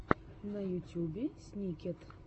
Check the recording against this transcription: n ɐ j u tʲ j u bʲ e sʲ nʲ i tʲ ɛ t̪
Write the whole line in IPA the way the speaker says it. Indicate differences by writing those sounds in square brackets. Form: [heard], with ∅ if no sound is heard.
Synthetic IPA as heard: n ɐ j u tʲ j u bʲ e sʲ nʲ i [kʲ] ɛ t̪